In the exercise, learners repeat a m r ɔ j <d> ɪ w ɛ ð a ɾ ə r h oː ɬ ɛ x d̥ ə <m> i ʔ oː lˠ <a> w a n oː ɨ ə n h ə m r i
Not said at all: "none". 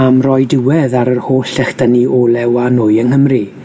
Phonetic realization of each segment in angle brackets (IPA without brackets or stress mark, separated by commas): d, n, ɛ